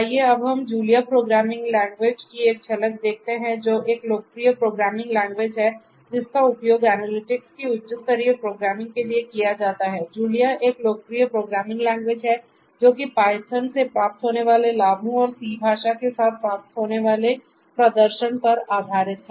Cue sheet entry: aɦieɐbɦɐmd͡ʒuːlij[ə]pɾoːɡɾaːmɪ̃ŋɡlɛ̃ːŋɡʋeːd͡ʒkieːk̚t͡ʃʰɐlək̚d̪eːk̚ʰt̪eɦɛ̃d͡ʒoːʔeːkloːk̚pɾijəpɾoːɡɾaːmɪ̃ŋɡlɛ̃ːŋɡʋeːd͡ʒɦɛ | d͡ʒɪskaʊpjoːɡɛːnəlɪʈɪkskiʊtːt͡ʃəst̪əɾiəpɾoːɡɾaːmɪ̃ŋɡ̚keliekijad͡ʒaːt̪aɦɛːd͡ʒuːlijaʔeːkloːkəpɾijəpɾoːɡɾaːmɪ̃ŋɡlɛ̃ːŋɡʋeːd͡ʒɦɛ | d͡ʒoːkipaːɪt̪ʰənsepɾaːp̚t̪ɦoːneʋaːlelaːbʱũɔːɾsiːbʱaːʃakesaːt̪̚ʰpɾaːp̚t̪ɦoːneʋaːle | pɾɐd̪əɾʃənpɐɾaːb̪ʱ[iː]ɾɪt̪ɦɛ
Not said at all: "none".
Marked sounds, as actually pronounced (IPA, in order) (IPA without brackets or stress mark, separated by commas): a, aː